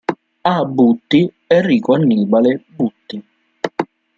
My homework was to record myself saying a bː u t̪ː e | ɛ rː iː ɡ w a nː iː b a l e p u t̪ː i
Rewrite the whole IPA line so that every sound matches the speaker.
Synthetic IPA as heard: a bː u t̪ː i | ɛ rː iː k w a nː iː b a l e b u t̪ː i

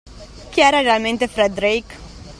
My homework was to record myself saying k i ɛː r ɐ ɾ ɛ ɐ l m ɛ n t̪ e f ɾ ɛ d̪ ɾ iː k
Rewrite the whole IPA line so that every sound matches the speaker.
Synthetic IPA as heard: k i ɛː ɾ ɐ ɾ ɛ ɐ l m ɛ n t̪ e f ɾ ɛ d̪ ɾ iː k

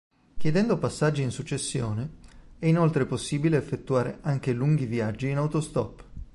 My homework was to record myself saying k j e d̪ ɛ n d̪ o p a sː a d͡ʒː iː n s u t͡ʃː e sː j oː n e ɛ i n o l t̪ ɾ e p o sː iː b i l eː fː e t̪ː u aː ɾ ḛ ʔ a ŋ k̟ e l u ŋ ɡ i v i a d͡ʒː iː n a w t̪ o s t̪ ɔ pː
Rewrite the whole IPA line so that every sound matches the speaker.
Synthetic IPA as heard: k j e d̪ ɛ n d̪ o p a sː a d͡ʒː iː n s u t͡ʃː e sː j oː n e ɛ i n o l t̪ ɾ e p o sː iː b i l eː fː e t̪ː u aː ɾ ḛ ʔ a ŋ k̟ e l u ŋ ɡ i v i a d͡ʒː iː n a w t̪ o s t̪ ɔ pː

